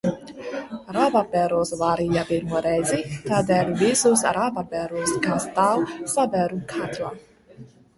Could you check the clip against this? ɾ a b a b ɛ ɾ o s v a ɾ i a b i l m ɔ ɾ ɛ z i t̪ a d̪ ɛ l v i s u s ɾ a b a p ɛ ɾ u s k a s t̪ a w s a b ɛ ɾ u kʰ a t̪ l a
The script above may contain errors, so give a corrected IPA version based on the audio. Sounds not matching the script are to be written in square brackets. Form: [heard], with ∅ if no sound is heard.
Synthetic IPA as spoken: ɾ a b a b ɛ ɾ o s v a ɾ i a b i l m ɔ ɾ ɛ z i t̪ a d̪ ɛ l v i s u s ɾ a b a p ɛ ɾ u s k a s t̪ a w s a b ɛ ɾ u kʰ a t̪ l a